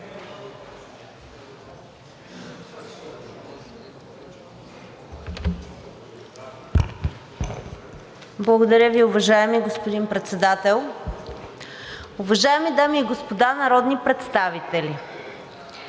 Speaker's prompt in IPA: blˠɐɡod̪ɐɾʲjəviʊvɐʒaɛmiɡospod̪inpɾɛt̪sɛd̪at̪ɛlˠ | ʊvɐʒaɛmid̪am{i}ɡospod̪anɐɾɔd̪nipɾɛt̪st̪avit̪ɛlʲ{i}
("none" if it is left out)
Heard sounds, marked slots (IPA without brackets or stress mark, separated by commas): iː, i